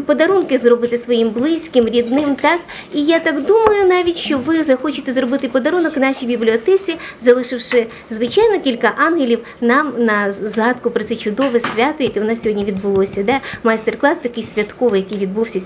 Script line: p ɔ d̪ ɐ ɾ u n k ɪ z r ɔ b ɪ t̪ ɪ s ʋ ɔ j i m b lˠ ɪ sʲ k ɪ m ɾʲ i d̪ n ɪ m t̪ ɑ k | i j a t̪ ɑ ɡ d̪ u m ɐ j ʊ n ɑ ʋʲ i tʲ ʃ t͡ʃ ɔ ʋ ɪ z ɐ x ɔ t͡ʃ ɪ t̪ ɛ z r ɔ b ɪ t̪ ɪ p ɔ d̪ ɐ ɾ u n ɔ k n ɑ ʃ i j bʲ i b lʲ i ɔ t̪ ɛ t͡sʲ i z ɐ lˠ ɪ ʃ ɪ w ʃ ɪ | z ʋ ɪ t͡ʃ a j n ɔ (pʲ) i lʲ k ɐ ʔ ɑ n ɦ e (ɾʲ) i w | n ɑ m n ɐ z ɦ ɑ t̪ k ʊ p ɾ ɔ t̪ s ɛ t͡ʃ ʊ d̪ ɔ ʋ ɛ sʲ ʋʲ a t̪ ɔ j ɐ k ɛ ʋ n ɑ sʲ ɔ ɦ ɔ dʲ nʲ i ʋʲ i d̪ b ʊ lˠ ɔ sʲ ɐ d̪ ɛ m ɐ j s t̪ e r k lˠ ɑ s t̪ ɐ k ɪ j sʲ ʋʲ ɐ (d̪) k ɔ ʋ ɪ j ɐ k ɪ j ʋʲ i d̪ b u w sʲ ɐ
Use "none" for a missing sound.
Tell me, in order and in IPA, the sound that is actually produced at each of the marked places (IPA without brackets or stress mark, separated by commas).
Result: kʲ, lʲ, t̪